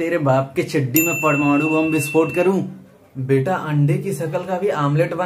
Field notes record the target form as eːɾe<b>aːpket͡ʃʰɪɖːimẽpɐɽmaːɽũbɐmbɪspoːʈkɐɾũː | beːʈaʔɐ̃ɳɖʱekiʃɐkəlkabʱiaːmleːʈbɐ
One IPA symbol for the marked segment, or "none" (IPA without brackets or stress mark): b